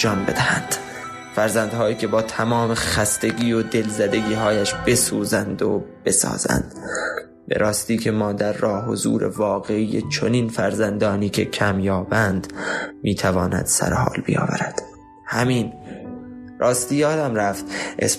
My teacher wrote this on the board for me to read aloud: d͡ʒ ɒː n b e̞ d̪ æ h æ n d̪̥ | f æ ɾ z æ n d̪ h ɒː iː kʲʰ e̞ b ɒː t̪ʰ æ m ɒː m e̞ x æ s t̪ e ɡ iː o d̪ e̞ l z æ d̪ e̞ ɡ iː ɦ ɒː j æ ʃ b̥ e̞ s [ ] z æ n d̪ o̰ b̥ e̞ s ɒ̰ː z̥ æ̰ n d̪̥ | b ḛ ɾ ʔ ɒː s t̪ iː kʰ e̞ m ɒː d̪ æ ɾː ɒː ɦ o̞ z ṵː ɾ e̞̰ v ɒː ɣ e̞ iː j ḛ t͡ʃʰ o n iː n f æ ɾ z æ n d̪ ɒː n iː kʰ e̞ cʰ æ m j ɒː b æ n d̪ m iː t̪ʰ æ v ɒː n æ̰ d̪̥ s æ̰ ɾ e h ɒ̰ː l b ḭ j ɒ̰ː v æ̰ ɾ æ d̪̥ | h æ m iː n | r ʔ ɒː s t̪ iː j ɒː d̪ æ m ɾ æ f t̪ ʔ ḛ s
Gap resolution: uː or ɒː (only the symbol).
uː